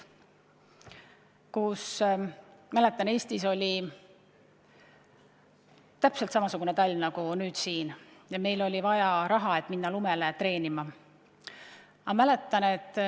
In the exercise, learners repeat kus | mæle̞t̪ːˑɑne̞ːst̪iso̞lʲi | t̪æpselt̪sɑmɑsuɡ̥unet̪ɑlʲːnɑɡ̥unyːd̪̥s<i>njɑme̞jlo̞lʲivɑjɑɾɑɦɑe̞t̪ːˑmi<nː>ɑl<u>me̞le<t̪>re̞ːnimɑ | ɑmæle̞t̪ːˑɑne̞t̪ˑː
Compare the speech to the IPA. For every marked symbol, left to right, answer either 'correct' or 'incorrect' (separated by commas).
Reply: incorrect, correct, correct, correct